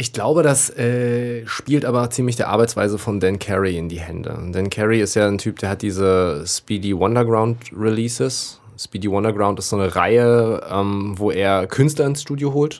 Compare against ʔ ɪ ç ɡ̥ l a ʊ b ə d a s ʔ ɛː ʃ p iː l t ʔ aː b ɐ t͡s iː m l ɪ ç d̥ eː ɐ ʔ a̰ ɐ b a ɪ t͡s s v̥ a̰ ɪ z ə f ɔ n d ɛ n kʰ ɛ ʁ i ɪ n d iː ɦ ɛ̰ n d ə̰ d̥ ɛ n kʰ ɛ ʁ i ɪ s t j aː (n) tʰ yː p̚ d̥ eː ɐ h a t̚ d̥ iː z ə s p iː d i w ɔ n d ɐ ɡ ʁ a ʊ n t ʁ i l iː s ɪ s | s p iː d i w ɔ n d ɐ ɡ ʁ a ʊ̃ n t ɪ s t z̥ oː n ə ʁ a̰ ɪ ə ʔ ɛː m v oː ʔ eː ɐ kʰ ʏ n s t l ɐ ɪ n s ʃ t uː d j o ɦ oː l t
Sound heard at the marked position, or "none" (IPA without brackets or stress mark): n